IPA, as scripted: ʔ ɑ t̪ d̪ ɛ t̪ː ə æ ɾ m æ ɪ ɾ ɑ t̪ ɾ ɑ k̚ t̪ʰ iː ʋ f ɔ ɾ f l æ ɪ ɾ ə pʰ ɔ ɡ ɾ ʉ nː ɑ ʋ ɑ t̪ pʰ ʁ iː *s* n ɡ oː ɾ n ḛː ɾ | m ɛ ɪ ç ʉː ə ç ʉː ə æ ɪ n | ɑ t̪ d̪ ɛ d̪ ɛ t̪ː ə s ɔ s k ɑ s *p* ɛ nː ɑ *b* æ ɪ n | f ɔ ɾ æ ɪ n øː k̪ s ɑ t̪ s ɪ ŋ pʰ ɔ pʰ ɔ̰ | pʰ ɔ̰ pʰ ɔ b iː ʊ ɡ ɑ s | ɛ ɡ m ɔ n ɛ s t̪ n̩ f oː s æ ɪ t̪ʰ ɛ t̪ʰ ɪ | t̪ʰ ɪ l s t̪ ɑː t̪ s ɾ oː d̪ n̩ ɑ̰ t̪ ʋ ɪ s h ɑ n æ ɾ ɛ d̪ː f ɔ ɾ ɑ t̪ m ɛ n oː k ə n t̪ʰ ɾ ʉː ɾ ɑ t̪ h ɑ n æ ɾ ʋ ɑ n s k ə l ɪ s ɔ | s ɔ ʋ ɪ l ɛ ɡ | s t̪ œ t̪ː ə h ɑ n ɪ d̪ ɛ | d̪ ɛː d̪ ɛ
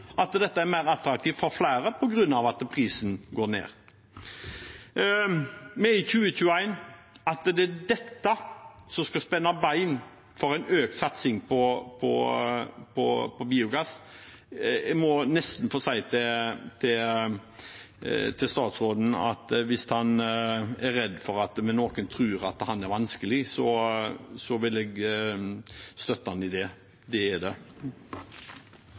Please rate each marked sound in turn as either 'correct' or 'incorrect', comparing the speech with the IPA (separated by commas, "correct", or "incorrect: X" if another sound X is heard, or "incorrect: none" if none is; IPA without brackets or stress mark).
correct, correct, correct